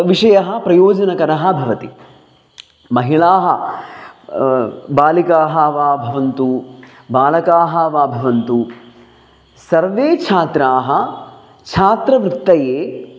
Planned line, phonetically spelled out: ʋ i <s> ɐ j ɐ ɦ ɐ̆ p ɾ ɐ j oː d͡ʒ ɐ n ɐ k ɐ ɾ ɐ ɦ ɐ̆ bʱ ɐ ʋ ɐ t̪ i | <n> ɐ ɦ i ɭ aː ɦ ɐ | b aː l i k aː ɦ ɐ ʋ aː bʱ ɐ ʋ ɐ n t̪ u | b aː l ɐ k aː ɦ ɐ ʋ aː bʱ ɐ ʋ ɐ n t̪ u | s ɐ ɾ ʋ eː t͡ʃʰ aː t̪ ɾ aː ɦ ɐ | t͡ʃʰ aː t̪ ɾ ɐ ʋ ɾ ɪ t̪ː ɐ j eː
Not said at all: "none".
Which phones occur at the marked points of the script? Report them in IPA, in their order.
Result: ʂ, m

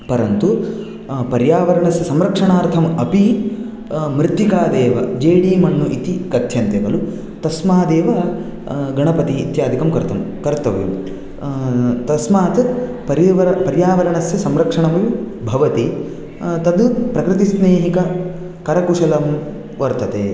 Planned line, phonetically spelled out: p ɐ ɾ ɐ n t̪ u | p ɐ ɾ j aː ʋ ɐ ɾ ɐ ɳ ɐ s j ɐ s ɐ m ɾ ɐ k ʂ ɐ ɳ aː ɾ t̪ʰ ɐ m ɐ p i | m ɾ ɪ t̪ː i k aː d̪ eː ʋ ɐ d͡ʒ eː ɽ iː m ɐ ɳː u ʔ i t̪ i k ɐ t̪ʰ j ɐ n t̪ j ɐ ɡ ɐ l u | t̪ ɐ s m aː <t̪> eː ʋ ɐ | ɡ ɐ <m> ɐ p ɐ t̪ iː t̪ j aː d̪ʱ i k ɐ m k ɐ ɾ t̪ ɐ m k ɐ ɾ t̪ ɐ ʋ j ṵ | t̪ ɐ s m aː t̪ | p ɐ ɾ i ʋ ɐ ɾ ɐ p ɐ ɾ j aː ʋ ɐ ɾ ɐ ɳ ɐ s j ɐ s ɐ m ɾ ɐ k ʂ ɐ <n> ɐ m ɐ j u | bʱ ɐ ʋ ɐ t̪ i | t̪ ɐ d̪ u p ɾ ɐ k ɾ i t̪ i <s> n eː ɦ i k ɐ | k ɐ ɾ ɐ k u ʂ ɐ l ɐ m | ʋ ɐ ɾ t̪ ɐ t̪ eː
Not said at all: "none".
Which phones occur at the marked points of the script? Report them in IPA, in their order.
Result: d̪, ɳ, ɳ, s

